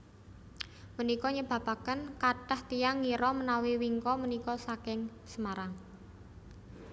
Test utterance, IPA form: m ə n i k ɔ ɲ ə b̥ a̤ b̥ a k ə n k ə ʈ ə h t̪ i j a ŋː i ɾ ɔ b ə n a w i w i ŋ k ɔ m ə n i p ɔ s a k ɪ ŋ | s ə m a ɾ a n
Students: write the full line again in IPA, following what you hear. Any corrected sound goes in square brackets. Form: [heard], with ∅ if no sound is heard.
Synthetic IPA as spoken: m ə n i k ɔ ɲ ə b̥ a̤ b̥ a k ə n k [a] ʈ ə h t̪ i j a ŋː i ɾ ɔ [m] ə n a w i w i ŋ k ɔ m ə n i [k] ɔ s a k ɪ ŋ | s ə m a ɾ a [ŋ]